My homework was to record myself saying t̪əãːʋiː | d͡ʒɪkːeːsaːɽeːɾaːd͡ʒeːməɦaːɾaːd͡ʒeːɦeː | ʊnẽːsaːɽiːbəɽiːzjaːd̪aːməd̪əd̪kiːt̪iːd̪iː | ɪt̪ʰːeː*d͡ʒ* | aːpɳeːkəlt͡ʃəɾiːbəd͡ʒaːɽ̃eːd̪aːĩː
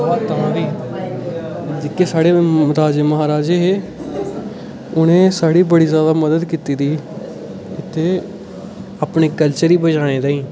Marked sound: incorrect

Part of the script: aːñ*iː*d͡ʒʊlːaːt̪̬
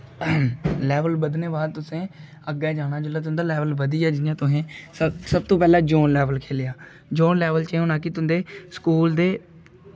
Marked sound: incorrect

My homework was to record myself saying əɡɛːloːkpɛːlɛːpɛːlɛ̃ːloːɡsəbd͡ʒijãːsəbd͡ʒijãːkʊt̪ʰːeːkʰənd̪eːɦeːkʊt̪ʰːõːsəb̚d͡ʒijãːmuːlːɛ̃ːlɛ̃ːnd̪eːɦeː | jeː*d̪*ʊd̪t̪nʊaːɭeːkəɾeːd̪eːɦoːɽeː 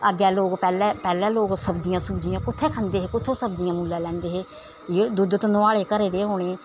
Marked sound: correct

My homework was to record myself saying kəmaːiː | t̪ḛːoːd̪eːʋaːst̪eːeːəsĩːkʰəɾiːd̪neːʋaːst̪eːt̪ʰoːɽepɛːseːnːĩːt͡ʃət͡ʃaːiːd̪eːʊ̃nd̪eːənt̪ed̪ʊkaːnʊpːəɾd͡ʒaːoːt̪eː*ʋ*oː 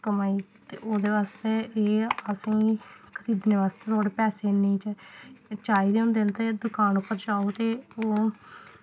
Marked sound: incorrect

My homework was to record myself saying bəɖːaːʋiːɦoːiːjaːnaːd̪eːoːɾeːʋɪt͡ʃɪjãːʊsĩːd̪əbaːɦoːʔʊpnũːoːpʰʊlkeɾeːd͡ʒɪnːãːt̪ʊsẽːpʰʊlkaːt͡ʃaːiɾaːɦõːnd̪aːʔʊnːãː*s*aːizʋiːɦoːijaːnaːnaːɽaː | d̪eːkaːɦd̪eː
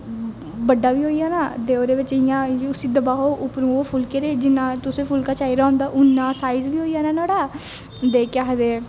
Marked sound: correct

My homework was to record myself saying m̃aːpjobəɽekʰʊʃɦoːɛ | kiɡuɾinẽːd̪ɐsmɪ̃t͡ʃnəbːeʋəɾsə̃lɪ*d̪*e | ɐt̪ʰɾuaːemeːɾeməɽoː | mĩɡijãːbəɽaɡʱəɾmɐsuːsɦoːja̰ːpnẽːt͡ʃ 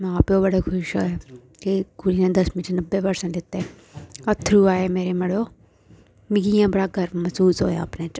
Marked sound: incorrect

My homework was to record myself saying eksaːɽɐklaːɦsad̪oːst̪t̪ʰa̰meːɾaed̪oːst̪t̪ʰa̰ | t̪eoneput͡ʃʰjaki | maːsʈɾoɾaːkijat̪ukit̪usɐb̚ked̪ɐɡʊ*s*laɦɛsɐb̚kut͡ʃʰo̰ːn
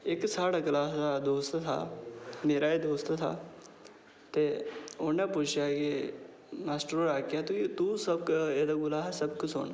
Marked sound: incorrect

